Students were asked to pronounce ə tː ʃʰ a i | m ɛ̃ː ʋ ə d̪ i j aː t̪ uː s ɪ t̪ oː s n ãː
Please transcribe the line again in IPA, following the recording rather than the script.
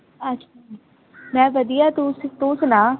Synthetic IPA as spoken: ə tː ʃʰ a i | m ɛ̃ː ʋ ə d̪ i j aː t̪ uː s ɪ t̪ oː s n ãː